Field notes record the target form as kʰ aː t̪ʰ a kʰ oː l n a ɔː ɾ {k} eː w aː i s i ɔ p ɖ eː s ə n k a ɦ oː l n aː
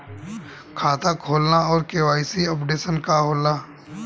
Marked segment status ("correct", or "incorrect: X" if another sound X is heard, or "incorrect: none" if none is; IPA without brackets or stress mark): correct